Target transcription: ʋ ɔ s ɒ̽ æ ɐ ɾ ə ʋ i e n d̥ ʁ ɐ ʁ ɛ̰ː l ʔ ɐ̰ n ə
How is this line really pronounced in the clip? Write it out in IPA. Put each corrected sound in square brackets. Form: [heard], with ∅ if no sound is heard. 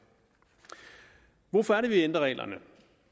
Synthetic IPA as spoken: ʋ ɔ [f] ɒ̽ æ ɐ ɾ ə ʋ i e n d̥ ʁ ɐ ʁ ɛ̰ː l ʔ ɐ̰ n ə